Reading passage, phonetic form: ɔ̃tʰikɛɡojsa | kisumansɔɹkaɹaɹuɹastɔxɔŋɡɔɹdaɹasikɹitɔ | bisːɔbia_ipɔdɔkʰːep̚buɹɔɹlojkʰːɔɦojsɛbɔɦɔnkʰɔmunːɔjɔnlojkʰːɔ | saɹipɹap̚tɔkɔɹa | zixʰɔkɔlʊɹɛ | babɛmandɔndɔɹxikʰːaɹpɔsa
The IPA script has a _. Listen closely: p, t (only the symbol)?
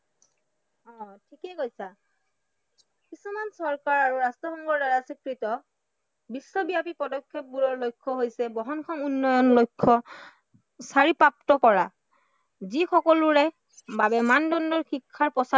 p